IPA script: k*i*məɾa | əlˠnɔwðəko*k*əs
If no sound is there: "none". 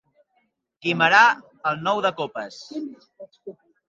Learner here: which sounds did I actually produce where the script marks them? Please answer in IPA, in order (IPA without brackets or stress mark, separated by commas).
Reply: i, p